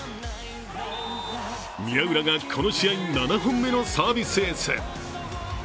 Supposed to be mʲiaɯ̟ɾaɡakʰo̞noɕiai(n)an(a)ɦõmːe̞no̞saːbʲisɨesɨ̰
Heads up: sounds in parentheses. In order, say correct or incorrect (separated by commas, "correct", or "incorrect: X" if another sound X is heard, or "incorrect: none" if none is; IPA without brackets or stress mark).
correct, correct